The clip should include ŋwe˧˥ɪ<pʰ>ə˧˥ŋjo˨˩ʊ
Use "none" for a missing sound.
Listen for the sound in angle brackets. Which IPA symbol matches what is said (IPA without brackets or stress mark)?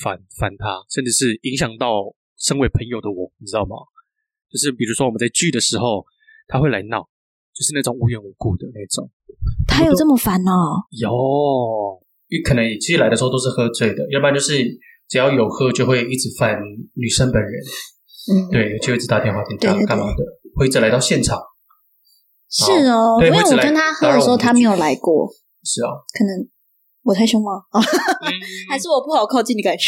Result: pʰ